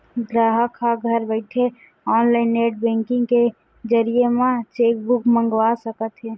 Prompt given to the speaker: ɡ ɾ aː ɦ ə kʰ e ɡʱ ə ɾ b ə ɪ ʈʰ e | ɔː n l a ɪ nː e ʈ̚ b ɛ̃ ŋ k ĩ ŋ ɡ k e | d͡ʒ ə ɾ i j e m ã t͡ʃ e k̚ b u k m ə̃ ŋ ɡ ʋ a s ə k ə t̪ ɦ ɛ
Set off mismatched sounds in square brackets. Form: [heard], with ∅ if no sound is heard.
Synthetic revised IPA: ɡ ɾ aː ɦ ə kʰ [a] ɡʱ ə ɾ b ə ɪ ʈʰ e | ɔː n l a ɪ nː e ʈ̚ b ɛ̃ ŋ k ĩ ŋ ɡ k e | d͡ʒ ə ɾ i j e m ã t͡ʃ e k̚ b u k m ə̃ ŋ ɡ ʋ a s ə k ə t̪ ɦ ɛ